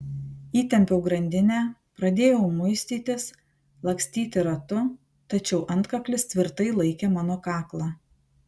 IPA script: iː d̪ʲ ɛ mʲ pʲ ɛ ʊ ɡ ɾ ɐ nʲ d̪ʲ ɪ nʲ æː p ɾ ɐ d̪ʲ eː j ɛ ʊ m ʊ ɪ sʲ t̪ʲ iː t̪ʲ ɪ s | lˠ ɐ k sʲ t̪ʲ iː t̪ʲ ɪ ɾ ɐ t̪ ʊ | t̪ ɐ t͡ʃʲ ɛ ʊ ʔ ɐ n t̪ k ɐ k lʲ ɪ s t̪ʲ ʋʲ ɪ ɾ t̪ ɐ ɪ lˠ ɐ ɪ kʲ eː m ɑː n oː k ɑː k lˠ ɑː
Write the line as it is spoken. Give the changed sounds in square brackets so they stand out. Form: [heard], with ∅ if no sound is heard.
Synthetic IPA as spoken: iː [t̪ʲ] ɛ mʲ pʲ ɛ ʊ ɡ ɾ ɐ nʲ d̪ʲ ɪ nʲ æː p ɾ ɐ d̪ʲ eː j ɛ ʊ m ʊ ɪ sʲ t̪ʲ iː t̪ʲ ɪ s | lˠ ɐ k sʲ t̪ʲ iː t̪ʲ ɪ ɾ ɐ t̪ ʊ | t̪ ɐ t͡ʃʲ ɛ ʊ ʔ ɐ n t̪ k ɐ k lʲ ɪ s t̪ʲ ʋʲ ɪ ɾ t̪ ɐ ɪ lˠ ɐ ɪ kʲ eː m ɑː n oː k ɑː k lˠ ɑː